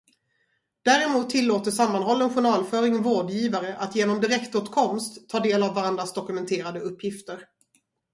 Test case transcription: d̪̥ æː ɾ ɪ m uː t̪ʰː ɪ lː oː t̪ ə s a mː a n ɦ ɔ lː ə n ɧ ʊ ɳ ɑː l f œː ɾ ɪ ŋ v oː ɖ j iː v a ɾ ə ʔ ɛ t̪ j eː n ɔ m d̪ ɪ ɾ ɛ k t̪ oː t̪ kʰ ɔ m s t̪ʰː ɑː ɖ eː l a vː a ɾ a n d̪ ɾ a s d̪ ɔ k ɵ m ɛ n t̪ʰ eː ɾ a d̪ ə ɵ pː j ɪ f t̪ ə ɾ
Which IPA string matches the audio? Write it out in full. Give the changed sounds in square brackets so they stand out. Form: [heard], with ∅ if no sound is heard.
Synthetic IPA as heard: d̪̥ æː ɾ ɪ m uː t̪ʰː ɪ lː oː t̪ ə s a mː a n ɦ ɔ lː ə n ɧ ʊ ɳ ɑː l f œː ɾ ɪ ŋ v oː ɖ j iː v a ɾ ə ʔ [a] t̪ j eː n ɔ m d̪ ɪ ɾ ɛ k t̪ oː t̪ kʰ ɔ m s t̪ʰː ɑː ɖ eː l a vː a ɾ a n d̪ ɾ a s d̪ ɔ k ɵ m ɛ n t̪ʰ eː ɾ a d̪ ə ɵ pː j ɪ f t̪ ə ɾ